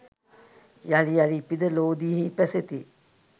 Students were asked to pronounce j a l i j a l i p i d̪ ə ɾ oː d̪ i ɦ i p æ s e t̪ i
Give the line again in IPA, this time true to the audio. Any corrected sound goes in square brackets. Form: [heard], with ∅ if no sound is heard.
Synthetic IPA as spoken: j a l i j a l i p i d̪ ə [l] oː d̪ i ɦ i p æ s e t̪ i